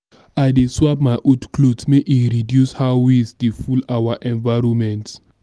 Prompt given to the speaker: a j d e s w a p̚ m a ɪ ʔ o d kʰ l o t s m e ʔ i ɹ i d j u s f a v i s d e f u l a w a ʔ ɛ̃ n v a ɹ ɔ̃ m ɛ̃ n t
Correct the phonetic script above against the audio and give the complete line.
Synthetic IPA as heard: a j d e s w a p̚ m a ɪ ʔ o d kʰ l o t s m e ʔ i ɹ i d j u s h a w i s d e f u l a w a ʔ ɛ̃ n v a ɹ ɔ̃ m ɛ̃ n t